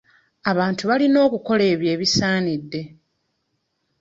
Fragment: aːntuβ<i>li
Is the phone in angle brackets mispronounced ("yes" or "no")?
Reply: yes